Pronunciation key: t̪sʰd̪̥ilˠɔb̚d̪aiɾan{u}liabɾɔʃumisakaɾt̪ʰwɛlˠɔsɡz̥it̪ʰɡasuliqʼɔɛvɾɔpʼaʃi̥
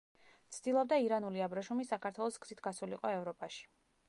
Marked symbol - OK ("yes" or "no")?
yes